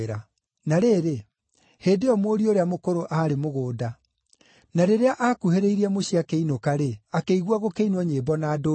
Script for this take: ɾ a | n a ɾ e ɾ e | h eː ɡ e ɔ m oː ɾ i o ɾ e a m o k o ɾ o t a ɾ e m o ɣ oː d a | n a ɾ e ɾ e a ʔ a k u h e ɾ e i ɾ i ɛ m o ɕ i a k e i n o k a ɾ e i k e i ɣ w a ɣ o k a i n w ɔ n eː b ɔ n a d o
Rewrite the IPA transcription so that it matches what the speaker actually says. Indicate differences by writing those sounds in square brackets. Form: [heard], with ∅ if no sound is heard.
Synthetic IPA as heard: ɾ a | n a ɾ e ɾ e | h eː [d] e ɔ m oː ɾ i o ɾ e a m o k o ɾ o [ʔ] a ɾ e m o ɣ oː d a | n a ɾ e ɾ e a ʔ a k u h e ɾ e i ɾ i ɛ m o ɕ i a k e i n o k a ɾ e [a] k e i ɣ w a ɣ o k [e] i n w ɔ [ɲ] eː b ɔ n a d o

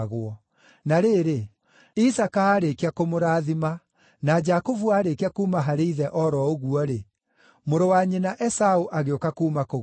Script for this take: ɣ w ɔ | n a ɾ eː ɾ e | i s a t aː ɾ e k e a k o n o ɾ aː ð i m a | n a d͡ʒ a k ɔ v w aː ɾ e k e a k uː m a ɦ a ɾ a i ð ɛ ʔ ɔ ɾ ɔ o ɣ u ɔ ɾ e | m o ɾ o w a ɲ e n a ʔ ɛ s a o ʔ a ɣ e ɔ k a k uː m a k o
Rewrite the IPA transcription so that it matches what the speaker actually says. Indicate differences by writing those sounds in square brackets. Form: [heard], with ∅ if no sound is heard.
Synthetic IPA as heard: ɣ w ɔ | n a ɾ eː ɾ e | i s a [k] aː ɾ e k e a k o [m] o ɾ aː ð i m a | n a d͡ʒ a k [o] v [u] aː ɾ e k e a k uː m a ɦ a ɾ [e] i ð ɛ ʔ ɔ ɾ ɔ o ɣ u ɔ ɾ e | m o ɾ o w a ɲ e n a ʔ ɛ s a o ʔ a ɣ e [o] k a k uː m a k o

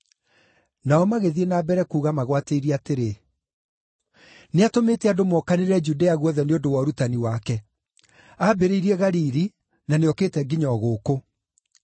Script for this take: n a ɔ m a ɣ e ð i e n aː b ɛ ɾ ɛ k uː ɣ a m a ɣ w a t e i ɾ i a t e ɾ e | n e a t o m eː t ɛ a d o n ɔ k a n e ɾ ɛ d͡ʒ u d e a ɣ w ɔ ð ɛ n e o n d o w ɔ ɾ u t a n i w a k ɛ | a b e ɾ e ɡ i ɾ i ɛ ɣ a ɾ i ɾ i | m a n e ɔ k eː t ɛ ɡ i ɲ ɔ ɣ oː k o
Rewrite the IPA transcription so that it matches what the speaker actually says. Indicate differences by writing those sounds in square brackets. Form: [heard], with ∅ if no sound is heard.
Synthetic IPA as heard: n a ɔ m a ɣ e ð i e n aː b ɛ ɾ ɛ k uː ɣ a m a ɣ w a t e i ɾ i a t e ɾ e | n e a t o m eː t ɛ a d o [m] ɔ k a n e ɾ ɛ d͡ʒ u d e a ɣ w ɔ ð ɛ n e o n d o w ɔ ɾ u t a n i w a k ɛ | a b e ɾ e [∅] i ɾ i ɛ ɣ a ɾ i ɾ i | [n] a n e ɔ k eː t ɛ ɡ i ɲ ɔ ɣ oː k o

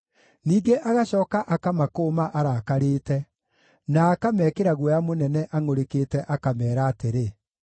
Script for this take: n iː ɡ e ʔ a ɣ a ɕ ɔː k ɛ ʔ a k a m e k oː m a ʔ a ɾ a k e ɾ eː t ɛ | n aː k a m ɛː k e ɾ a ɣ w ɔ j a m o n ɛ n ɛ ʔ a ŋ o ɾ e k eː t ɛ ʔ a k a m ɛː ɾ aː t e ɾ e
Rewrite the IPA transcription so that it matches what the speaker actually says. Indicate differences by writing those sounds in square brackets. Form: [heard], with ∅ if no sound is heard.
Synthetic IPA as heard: n iː ɡ e ʔ a ɣ a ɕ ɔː k [a] ʔ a k a m [a] k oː m a ʔ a ɾ a k [a] ɾ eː t ɛ | n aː k a m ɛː k e ɾ a ɣ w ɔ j a m o n ɛ n ɛ ʔ a ŋ o ɾ e k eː t ɛ ʔ a k a m ɛː ɾ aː t e ɾ e

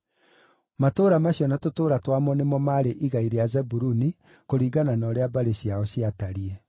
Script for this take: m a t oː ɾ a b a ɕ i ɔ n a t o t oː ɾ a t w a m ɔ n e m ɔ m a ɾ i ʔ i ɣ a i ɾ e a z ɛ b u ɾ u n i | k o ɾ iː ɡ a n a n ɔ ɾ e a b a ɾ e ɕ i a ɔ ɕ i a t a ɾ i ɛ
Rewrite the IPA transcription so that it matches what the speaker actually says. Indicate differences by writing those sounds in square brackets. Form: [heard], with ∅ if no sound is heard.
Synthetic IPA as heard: m a t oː ɾ a [m] a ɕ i ɔ n a t o t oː ɾ a t w a m ɔ n e m ɔ m a ɾ [e] ʔ i ɣ a i ɾ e a z ɛ b u ɾ u n i | k o ɾ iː ɡ a n a n ɔ ɾ e a b a ɾ e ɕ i a ɔ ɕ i a t a ɾ i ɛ

